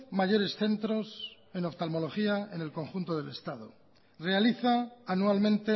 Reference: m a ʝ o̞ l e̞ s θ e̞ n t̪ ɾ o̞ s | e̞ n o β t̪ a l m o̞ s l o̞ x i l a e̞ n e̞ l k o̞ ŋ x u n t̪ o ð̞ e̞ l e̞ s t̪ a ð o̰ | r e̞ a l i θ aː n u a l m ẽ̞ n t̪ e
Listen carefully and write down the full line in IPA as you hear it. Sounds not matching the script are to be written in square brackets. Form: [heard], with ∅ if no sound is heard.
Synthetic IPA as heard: m a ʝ o̞ [ɾ] e̞ s θ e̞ n t̪ ɾ o̞ s | e̞ n o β t̪ a l m o̞ [∅] l o̞ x i [∅] a e̞ n e̞ l k o̞ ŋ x u n t̪ o ð̞ e̞ l e̞ s t̪ a ð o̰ | r e̞ a l i θ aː n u a l m ẽ̞ n t̪ e